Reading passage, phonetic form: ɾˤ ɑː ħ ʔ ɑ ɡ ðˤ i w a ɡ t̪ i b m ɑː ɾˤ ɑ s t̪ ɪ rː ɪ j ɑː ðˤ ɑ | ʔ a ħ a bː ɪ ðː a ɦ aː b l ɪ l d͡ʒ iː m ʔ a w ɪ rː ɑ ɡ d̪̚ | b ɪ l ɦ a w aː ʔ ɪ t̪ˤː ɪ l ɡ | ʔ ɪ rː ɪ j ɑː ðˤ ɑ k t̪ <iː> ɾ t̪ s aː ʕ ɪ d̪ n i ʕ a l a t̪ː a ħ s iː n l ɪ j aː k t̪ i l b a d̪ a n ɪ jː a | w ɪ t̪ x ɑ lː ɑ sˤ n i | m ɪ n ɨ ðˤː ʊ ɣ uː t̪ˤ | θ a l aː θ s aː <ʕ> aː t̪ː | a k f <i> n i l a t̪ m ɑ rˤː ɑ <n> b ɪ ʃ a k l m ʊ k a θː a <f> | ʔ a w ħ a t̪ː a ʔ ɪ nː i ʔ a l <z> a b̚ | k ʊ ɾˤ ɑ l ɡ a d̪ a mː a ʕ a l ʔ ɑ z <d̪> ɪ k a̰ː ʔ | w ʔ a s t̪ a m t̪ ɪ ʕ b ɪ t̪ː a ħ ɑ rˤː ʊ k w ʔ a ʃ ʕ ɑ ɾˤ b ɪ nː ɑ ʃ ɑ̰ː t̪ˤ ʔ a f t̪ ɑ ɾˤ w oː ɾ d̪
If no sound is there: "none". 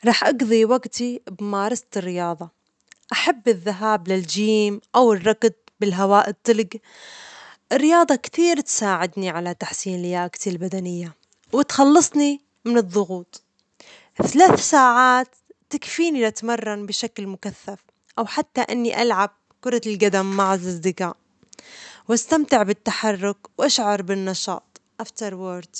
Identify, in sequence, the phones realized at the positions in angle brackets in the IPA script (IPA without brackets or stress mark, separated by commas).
iː, ʕ, iː, n, f, ʕ, d̪